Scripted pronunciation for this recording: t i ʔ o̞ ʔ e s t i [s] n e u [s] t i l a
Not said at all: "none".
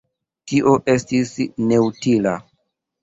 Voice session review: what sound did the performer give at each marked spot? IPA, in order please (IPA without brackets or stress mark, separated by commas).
s, none